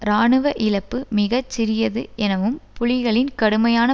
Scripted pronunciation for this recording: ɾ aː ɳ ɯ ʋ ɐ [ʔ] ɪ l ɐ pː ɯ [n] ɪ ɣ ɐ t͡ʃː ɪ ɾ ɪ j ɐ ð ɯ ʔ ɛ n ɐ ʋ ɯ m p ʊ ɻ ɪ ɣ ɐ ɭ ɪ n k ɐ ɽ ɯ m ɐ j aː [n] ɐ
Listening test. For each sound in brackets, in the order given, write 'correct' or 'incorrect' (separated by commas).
correct, incorrect, correct